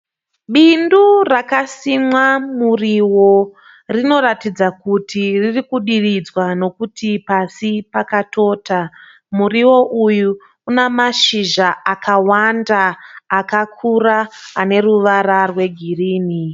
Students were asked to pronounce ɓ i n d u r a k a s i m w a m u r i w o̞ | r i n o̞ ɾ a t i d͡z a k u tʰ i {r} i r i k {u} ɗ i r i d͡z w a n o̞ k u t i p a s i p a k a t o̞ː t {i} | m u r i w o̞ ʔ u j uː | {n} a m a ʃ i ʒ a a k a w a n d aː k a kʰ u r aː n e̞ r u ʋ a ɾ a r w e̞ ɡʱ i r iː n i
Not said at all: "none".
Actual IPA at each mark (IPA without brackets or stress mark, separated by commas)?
r, u, a, n